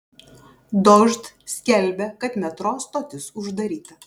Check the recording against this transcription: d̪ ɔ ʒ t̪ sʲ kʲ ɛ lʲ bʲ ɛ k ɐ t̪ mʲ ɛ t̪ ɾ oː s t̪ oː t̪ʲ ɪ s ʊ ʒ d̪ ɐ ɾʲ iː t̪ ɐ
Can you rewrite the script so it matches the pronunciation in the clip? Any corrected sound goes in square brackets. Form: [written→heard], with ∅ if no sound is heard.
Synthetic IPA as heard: d̪ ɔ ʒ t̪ sʲ kʲ ɛ lʲ bʲ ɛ k ɐ t̪ mʲ ɛ t̪ ɾ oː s t̪ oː t̪ʲ ɪ s ʊ ʒ d̪ ɐ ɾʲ iː t̪ ɐ

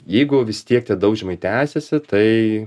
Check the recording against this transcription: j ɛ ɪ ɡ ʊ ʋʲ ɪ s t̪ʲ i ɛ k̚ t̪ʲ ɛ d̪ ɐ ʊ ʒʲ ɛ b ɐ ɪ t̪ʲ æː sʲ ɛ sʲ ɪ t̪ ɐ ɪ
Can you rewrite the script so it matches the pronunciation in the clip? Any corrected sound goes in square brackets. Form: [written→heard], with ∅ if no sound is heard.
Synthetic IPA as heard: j ɛ ɪ ɡ ʊ ʋʲ ɪ s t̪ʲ i ɛ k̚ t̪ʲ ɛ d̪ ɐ ʊ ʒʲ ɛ [b→m] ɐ ɪ t̪ʲ æː sʲ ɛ sʲ ɪ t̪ ɐ ɪ

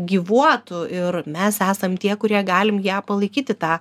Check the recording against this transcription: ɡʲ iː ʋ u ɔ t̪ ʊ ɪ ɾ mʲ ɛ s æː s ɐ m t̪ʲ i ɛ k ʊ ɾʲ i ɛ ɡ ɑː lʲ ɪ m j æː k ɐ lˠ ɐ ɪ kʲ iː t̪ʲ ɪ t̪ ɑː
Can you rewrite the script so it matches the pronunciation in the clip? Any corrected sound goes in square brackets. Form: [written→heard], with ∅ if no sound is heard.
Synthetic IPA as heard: ɡʲ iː ʋ u ɔ t̪ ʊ ɪ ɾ mʲ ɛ s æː s ɐ m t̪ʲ i ɛ k ʊ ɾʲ i ɛ ɡ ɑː lʲ ɪ m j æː [k→p] ɐ lˠ ɐ ɪ kʲ iː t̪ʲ ɪ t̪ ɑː

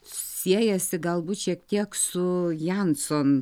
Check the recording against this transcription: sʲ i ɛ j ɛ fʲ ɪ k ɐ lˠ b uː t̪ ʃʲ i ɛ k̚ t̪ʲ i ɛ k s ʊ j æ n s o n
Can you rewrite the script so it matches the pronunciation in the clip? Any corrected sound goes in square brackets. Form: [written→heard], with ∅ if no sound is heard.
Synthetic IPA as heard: sʲ i ɛ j ɛ [fʲ→sʲ] ɪ [k→ɡ] ɐ lˠ b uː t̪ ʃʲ i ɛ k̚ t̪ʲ i ɛ k s ʊ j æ n s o n

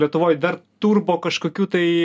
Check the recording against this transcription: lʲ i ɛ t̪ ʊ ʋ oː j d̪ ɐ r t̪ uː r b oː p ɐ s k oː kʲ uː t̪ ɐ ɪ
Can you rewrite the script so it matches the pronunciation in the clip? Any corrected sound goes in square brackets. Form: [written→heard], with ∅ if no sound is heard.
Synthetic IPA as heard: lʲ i ɛ t̪ ʊ ʋ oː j d̪ ɐ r t̪ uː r b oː [p→k] ɐ [s→ʃ] k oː kʲ uː t̪ ɐ ɪ

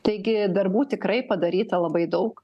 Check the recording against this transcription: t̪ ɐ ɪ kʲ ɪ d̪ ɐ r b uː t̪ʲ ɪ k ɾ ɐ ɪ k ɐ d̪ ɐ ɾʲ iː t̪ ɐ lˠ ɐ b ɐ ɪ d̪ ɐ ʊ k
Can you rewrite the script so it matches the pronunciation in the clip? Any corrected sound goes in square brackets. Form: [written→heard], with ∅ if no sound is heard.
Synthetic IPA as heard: t̪ ɐ ɪ [kʲ→ɡʲ] ɪ d̪ ɐ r b uː t̪ʲ ɪ k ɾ ɐ ɪ [k→p] ɐ d̪ ɐ ɾʲ iː t̪ ɐ lˠ ɐ b ɐ ɪ d̪ ɐ ʊ k

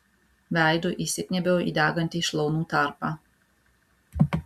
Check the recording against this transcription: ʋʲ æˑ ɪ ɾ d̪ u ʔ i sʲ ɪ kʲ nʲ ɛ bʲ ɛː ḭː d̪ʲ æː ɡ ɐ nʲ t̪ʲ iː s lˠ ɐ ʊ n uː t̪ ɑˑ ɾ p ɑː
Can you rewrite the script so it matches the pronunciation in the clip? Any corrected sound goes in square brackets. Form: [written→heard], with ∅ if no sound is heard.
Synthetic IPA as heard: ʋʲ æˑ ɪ [ɾ→∅] d̪ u ʔ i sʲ ɪ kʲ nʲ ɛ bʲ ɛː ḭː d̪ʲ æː ɡ ɐ nʲ t̪ʲ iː [s→ʃ] lˠ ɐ ʊ n uː t̪ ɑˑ ɾ p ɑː

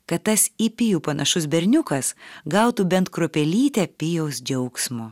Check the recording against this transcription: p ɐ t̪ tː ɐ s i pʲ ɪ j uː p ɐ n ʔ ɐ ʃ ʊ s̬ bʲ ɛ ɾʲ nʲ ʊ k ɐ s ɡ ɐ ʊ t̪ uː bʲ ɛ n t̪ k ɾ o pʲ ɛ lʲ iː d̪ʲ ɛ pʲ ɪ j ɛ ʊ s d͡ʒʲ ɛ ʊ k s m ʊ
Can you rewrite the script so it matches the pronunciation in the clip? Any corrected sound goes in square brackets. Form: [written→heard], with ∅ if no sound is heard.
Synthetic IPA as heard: [p→k] ɐ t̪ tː ɐ s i pʲ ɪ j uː p ɐ n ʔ ɐ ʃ ʊ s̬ bʲ ɛ ɾʲ nʲ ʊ k ɐ s ɡ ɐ ʊ t̪ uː bʲ ɛ n t̪ k ɾ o pʲ ɛ lʲ iː [d̪ʲ→t̪ʲ] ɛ pʲ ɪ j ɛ ʊ s d͡ʒʲ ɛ ʊ k s m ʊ

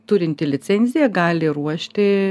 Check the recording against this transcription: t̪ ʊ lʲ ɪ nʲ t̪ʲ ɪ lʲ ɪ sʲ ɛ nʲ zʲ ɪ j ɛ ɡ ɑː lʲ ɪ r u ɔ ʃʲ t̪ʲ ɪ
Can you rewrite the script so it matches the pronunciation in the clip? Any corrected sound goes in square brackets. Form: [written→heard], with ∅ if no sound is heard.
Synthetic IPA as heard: t̪ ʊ [lʲ→ɾʲ] ɪ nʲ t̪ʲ ɪ lʲ ɪ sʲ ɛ nʲ zʲ ɪ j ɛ ɡ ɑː lʲ ɪ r u ɔ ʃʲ t̪ʲ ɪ

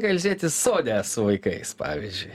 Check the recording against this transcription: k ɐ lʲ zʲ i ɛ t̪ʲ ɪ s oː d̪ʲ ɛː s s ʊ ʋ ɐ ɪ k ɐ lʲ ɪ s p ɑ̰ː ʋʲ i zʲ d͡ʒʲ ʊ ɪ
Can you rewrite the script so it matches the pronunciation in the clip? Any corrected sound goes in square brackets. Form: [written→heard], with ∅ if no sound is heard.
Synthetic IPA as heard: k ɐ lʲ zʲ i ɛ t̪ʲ ɪ s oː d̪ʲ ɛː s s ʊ ʋ ɐ ɪ k ɐ [lʲ→∅] ɪ s p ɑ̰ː ʋʲ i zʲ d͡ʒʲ ʊ ɪ

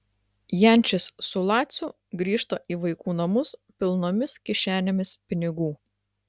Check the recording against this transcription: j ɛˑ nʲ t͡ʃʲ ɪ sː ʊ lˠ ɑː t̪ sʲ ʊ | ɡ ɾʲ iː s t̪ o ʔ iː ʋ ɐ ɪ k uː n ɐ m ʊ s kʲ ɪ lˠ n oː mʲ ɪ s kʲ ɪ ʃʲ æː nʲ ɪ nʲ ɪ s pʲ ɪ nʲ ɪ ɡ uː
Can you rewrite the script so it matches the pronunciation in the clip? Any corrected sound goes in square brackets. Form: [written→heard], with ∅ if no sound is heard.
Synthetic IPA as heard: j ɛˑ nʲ t͡ʃʲ ɪ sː ʊ lˠ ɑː t̪ sʲ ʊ | ɡ ɾʲ iː [s→ʃ] t̪ o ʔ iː ʋ ɐ ɪ k uː n ɐ m ʊ s [kʲ→pʲ] ɪ lˠ n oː mʲ ɪ s kʲ ɪ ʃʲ æː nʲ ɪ [nʲ→mʲ] ɪ s pʲ ɪ nʲ ɪ ɡ uː

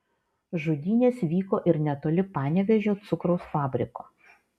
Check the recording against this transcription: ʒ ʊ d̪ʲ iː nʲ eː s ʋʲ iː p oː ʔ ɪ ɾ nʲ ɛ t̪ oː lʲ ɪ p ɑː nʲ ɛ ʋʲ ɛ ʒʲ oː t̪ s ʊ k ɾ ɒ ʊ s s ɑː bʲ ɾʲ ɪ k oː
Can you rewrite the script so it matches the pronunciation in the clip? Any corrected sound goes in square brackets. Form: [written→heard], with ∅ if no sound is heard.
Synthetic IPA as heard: ʒ ʊ d̪ʲ iː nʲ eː s ʋʲ iː [p→k] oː ʔ ɪ ɾ nʲ ɛ t̪ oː lʲ ɪ p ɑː nʲ ɛ ʋʲ ɛ ʒʲ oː t̪ s ʊ k ɾ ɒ ʊ s [s→f] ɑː bʲ ɾʲ ɪ k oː

